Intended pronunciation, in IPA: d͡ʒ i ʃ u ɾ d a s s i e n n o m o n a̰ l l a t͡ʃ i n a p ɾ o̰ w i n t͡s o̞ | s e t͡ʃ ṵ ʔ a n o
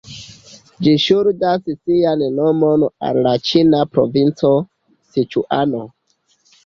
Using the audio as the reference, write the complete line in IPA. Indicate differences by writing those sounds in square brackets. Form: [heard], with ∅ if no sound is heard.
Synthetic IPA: d͡ʒ i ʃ u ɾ d a s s i [a] n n o m o n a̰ l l a t͡ʃ i n a p ɾ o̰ [v] i n t͡s o̞ | s [i] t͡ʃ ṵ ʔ a n o